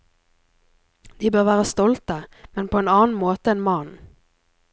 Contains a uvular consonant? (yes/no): yes